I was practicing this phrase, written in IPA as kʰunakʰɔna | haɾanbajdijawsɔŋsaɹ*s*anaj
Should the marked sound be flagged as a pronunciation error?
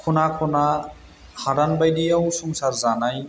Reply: yes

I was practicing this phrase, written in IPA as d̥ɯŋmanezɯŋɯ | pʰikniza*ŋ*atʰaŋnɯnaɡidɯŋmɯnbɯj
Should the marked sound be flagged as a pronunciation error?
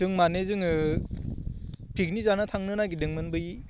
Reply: yes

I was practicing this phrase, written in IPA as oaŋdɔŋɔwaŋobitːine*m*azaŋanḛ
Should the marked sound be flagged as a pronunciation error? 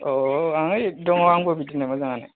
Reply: no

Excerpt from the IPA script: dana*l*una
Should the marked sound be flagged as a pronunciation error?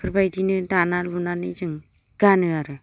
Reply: no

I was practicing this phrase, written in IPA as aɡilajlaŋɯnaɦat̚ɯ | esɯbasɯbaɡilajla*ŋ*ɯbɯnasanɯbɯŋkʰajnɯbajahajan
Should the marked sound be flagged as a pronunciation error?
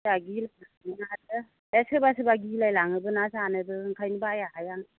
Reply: no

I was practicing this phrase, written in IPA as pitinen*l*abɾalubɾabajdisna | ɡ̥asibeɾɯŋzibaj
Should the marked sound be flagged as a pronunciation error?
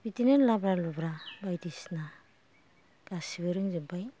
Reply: no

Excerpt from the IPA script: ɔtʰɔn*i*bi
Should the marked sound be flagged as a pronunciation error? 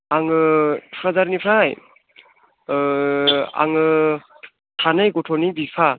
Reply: no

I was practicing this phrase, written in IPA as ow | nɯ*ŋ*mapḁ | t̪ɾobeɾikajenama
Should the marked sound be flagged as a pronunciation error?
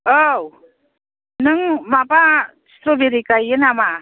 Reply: no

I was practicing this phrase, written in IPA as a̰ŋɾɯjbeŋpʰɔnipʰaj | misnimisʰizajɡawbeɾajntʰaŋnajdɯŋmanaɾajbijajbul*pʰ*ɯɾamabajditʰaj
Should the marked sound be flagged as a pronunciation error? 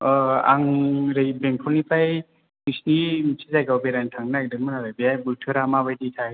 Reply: yes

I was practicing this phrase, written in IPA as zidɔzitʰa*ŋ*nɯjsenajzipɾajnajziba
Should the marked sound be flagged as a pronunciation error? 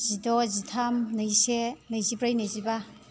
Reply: yes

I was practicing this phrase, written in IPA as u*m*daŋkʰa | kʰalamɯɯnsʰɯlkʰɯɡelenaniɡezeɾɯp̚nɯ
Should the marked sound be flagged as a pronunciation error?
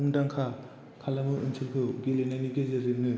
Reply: yes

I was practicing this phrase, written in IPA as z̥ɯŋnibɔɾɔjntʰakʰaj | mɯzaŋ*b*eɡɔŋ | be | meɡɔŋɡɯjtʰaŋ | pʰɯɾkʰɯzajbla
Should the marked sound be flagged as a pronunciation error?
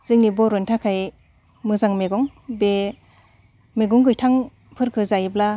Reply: yes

